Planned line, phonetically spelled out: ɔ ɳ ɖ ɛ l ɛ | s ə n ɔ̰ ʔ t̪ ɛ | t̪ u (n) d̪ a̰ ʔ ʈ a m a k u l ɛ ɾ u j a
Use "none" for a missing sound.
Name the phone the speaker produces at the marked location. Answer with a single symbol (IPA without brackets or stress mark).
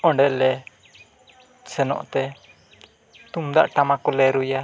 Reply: m